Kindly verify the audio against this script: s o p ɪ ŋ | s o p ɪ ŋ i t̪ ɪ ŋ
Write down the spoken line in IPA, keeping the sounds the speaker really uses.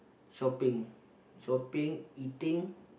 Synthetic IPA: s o p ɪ ŋ | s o p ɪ ŋ i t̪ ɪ ŋ